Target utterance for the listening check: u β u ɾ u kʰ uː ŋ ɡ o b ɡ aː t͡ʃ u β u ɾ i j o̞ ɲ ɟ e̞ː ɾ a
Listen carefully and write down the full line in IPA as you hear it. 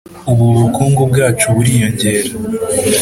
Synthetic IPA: u β u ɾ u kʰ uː ŋ ɡ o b ɡ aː t͡ʃ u β u ɾ i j o̞ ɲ ɟ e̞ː ɾ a